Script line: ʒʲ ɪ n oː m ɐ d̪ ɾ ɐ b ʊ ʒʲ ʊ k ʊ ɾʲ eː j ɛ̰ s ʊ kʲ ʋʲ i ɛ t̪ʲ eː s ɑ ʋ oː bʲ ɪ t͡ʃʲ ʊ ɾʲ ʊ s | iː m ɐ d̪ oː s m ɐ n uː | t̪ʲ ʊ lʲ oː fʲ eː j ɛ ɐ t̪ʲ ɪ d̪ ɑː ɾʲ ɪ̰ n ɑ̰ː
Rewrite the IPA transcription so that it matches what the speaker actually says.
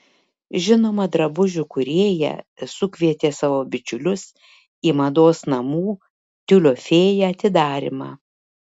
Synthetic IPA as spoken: ʒʲ ɪ n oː m ɐ d̪ ɾ ɐ b ʊ ʒʲ ʊ k ʊ ɾʲ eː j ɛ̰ s ʊ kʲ ʋʲ i ɛ t̪ʲ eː s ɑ ʋ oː bʲ ɪ t͡ʃʲ ʊ lʲ ʊ s | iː m ɐ d̪ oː s n ɐ m uː | t̪ʲ ʊ lʲ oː fʲ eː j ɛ ɐ t̪ʲ ɪ d̪ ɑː ɾʲ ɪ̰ m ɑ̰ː